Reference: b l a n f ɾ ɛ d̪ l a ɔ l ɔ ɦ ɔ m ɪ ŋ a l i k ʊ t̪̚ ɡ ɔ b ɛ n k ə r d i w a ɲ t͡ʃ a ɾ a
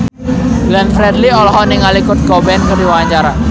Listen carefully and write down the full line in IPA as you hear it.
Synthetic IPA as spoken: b l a n f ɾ ɛ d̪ l i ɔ l ɔ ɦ ɔ n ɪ ŋ a l i k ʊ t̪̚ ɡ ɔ b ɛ n k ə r d i w a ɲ t͡ʃ a ɾ a